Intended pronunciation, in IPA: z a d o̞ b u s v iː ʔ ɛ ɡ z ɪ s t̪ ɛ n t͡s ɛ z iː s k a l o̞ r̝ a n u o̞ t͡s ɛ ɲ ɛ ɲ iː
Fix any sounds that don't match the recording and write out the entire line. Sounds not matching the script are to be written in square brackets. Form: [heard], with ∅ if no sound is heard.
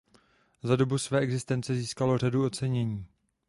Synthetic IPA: z a d o̞ b u s v [ɛː] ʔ ɛ ɡ z ɪ s t̪ ɛ n t͡s ɛ z iː s k a l o̞ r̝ a [d] u o̞ t͡s ɛ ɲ ɛ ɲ iː